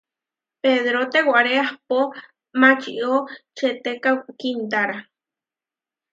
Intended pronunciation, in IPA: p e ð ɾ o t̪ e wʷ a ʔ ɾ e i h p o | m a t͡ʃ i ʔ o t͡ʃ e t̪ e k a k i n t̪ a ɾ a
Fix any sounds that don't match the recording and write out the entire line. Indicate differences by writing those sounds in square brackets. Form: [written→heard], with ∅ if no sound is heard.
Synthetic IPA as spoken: p e ð ɾ o t̪ e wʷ a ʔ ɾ e [i→a] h p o | m a t͡ʃ i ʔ o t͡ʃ e t̪ e k a k i n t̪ a ɾ a